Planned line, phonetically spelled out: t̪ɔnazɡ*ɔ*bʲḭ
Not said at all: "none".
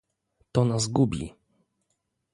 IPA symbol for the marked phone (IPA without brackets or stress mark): u